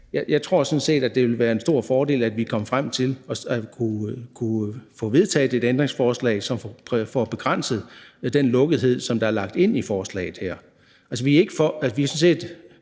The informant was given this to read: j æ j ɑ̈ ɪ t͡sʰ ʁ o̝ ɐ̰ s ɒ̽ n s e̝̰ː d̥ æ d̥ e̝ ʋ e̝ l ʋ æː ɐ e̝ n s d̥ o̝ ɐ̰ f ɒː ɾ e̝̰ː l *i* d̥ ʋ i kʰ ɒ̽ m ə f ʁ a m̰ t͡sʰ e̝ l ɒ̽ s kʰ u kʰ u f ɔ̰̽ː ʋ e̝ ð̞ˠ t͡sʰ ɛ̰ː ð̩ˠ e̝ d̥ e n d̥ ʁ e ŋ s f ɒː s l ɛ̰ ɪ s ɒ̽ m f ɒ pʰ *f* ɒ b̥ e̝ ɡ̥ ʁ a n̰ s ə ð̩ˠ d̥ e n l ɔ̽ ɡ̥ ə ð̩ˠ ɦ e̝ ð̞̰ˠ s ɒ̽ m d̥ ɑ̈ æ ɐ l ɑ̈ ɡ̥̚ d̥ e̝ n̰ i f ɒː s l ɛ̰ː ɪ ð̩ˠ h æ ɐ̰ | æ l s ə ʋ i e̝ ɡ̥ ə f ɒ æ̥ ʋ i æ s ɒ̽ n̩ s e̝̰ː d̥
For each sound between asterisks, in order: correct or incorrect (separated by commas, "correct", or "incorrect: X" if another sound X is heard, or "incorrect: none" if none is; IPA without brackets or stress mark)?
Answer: incorrect: æ, correct